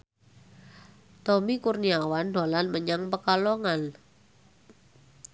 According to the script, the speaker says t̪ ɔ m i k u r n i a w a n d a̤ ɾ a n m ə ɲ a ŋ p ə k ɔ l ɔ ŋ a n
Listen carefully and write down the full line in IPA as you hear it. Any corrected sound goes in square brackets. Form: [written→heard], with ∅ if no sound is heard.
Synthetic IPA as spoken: t̪ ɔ m i k u r n i a w a n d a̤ [ɾ→l] a n m ə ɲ a ŋ p ə k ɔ l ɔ ŋ a n